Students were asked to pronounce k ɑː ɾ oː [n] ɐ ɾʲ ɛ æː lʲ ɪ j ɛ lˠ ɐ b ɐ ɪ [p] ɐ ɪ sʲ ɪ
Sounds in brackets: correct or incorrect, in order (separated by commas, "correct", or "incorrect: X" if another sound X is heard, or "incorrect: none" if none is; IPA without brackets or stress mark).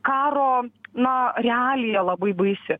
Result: correct, incorrect: b